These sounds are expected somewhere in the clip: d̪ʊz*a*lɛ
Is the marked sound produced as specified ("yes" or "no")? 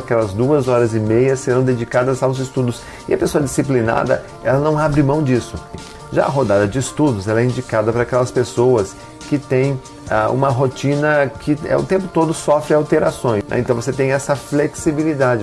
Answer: no